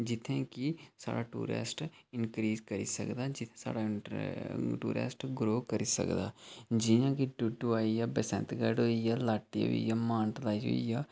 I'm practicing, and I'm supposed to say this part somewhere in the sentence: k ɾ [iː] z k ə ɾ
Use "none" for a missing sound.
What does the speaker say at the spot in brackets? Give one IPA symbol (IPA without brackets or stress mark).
iː